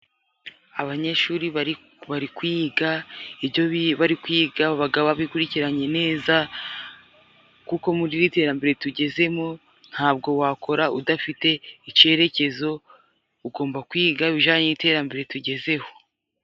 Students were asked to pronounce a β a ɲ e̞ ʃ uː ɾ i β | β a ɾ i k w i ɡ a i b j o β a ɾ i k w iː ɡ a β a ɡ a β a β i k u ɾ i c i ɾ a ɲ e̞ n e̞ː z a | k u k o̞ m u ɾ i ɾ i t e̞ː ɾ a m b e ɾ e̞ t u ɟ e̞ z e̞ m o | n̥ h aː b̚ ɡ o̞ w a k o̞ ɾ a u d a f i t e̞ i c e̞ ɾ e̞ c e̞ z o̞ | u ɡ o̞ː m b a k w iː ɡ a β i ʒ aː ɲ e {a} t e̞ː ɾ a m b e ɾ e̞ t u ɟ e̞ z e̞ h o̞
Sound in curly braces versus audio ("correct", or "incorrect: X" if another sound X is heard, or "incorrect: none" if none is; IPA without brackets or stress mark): incorrect: i